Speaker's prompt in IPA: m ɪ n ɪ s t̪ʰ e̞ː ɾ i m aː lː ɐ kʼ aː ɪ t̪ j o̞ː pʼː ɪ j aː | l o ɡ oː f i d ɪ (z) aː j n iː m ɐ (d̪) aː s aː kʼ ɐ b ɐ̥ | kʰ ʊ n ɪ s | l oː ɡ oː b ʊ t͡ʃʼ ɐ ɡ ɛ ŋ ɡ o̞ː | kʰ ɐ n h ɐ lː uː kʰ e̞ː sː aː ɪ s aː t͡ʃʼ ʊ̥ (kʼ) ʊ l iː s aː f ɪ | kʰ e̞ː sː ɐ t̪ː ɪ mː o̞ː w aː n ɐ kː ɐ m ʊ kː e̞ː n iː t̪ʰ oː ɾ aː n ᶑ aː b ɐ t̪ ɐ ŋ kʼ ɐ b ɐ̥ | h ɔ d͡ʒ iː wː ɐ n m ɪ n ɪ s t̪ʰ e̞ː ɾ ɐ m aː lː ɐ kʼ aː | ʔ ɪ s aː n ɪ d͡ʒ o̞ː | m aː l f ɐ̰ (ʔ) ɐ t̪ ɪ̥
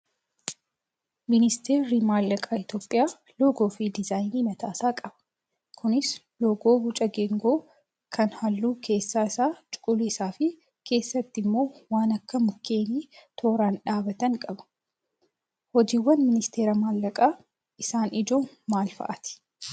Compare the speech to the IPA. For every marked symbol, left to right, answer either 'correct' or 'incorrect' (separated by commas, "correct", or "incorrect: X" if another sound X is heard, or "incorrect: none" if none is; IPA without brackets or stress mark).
correct, incorrect: t̪, correct, correct